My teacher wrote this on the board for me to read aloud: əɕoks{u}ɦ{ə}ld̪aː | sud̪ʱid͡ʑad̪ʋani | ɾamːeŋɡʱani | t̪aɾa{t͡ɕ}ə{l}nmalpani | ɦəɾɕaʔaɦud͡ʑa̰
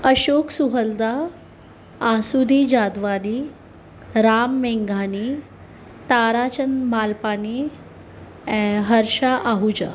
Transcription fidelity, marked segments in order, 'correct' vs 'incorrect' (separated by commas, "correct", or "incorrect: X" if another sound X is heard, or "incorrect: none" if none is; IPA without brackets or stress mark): correct, correct, correct, incorrect: none